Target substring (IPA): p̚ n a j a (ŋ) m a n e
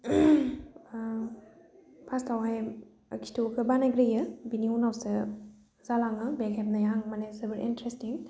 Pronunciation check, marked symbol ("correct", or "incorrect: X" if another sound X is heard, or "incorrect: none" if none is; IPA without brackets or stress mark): correct